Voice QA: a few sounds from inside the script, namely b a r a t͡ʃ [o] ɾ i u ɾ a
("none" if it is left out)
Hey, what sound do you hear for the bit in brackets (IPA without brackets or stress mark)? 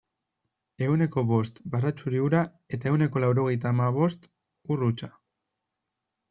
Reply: u